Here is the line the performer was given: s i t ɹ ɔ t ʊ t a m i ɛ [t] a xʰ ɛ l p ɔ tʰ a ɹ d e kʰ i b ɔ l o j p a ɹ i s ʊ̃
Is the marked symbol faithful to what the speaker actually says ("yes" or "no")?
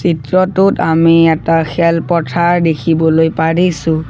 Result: yes